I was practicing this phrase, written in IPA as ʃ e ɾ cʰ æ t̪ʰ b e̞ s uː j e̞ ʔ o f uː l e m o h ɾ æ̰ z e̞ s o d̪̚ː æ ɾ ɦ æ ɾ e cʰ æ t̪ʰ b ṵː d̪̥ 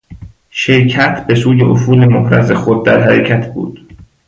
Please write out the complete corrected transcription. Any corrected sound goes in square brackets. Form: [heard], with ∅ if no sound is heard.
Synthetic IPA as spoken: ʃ e ɾ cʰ æ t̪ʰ b e̞ s uː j e̞ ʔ o f uː l e m o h ɾ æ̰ z e̞ [x] o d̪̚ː æ ɾ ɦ æ ɾ e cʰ æ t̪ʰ b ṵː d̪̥